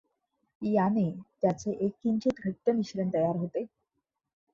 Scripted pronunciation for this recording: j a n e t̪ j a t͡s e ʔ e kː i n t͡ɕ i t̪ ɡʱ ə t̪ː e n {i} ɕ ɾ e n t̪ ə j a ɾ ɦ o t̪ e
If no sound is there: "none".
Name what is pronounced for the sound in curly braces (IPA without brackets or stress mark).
i